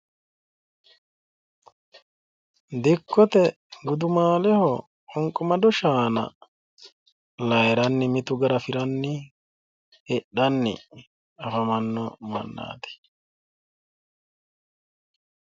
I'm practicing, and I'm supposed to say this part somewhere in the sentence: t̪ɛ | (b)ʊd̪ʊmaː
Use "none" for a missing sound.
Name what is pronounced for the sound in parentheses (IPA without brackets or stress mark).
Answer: ɡ